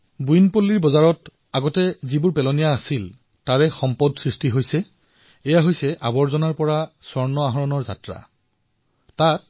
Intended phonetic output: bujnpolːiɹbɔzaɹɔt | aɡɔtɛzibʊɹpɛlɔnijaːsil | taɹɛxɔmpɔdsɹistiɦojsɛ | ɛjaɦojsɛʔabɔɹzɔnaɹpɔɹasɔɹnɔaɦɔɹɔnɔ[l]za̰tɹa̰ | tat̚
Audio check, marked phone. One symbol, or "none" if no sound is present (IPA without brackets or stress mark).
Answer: ɹ